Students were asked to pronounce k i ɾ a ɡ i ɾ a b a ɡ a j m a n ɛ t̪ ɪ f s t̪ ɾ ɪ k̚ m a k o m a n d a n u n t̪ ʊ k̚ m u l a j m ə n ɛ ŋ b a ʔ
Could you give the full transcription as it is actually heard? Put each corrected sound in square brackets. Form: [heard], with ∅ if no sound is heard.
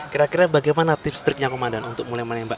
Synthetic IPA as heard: k i ɾ a [k] i ɾ a b a ɡ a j m a n [a] t̪ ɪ f s t̪ ɾ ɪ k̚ [ɲ] a k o m a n d a n u n t̪ ʊ k̚ m u l a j m ə n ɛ [m] b a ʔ